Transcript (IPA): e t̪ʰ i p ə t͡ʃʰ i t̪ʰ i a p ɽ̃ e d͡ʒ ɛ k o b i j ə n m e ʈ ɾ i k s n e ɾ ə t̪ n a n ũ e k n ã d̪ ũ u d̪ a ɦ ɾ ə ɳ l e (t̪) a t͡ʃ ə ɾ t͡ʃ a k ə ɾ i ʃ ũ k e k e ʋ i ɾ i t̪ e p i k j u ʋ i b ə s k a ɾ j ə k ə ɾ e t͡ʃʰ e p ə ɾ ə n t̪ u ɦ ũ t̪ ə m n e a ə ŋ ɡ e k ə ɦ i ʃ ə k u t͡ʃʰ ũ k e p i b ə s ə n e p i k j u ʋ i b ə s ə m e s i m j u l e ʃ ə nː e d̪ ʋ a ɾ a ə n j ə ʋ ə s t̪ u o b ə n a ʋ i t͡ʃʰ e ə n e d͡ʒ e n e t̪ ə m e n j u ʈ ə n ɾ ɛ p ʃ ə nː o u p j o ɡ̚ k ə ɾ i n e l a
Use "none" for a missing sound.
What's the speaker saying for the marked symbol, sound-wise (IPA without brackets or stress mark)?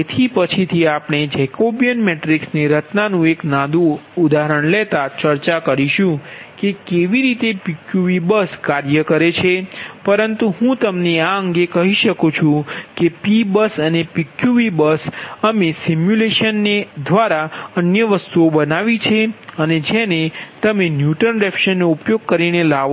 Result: t̪